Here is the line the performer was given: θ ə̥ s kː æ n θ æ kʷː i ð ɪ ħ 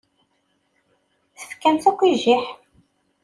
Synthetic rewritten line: θ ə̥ f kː æ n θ æ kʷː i ʒ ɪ ħ